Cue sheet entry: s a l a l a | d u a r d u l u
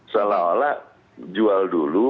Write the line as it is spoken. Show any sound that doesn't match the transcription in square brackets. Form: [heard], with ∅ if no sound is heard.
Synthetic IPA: s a l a l a | [d͡ʒ] u a [l] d u l u